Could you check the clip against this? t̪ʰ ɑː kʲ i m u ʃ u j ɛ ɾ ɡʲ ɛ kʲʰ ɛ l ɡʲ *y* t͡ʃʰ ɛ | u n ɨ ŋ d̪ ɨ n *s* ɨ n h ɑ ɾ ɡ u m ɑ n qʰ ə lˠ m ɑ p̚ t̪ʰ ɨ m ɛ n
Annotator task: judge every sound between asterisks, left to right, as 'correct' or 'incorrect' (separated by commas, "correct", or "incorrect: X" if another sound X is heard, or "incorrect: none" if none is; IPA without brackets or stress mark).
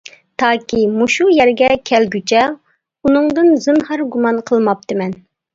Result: correct, incorrect: z